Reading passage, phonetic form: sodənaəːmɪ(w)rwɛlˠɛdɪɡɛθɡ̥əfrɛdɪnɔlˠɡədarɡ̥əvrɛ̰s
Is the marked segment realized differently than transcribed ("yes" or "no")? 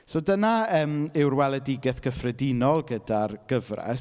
no